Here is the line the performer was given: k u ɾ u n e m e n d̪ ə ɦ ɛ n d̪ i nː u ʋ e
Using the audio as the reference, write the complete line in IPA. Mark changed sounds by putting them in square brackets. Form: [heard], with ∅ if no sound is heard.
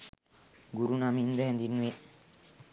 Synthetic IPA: [ɡ] u ɾ u n [a] m [i] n d̪ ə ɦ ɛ n d̪ i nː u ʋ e

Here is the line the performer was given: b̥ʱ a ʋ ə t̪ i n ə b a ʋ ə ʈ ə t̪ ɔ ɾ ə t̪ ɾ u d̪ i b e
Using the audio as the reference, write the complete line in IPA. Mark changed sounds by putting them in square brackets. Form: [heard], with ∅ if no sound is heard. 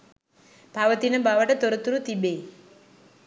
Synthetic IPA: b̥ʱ a ʋ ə t̪ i n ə b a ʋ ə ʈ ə t̪ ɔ ɾ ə t̪ ɾ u [t̪] i b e

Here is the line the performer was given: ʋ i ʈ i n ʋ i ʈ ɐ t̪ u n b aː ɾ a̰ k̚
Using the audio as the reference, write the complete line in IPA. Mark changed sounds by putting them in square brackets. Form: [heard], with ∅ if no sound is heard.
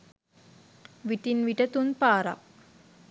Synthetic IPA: ʋ i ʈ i n ʋ i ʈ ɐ t̪ u n [p] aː ɾ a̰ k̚

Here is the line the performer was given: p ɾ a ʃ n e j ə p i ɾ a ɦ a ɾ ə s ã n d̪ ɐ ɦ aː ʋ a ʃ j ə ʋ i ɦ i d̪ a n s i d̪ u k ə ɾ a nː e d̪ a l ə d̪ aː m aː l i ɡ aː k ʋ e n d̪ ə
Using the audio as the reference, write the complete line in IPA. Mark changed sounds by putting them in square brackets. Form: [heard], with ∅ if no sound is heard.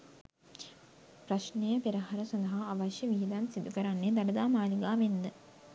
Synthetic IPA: p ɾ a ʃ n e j ə p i ɾ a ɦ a ɾ ə s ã n d̪ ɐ ɦ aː ʋ a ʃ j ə ʋ i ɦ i d̪ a n s i d̪ u k ə ɾ a nː e d̪ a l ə d̪ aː m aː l i ɡ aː [∅] ʋ e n d̪ ə

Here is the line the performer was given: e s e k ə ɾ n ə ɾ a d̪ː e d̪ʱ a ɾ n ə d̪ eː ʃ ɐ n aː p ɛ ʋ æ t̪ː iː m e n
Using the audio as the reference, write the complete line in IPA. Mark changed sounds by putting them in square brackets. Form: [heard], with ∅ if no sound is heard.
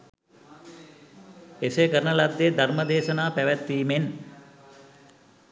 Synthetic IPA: e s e k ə ɾ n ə [l] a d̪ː e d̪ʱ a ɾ [m] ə d̪ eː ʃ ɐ n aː p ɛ ʋ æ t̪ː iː m e n

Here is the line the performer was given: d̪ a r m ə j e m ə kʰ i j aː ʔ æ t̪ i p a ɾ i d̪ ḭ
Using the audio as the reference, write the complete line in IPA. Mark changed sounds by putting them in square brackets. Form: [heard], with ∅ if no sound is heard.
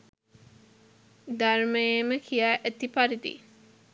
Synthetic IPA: d̪ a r m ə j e m ə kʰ i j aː ʔ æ t̪ i p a ɾ i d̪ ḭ

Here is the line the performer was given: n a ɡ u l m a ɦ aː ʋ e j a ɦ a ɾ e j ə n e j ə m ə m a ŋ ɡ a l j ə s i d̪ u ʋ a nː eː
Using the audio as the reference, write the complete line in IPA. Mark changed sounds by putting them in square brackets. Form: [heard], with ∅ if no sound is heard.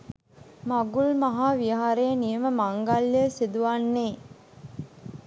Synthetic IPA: [m] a ɡ u l m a ɦ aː ʋ [i] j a ɦ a ɾ e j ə n [i] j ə m ə m a ŋ ɡ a l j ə s i d̪ u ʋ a nː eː

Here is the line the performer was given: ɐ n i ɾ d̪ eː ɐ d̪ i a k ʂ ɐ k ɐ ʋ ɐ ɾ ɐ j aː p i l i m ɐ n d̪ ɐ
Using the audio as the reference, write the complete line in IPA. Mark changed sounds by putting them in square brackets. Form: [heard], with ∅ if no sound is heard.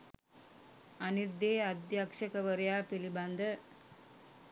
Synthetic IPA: ɐ n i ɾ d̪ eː ɐ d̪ [j] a k ʂ ɐ k ɐ ʋ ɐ ɾ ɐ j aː p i l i [b] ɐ n d̪ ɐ

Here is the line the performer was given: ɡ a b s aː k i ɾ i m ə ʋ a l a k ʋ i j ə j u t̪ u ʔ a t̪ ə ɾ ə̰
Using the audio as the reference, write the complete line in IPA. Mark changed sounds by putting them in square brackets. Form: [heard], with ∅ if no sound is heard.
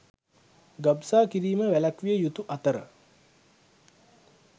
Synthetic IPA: ɡ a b s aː k i ɾ [iː] m ə ʋ [æ] l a k ʋ i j ə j u t̪ u ʔ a t̪ ə ɾ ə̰

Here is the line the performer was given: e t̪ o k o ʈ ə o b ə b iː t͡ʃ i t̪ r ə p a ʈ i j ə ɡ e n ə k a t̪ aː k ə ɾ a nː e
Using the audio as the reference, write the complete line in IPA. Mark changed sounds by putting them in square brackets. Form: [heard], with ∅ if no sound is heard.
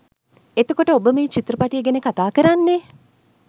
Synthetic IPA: e t̪ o k o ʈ ə o b ə [m] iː t͡ʃ i t̪ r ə p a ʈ i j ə ɡ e n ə k a t̪ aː k ə ɾ a nː e

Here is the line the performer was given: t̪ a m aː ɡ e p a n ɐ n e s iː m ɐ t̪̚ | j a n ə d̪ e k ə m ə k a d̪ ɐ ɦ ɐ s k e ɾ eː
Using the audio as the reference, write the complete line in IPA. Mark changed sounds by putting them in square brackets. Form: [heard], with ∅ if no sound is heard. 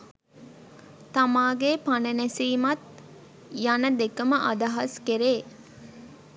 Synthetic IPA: t̪ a m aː ɡ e p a n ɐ n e s iː m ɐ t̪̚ | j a n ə d̪ e k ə m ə [ʔ] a d̪ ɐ ɦ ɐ s k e ɾ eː

